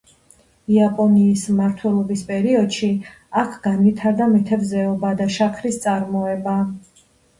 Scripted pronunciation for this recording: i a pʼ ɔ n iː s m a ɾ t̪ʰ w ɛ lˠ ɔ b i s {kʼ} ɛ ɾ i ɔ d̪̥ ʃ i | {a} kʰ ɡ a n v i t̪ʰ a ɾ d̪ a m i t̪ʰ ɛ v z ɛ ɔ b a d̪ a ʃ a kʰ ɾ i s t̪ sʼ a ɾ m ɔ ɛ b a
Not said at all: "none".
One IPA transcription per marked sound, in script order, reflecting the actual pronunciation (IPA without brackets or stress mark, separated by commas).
pʼ, a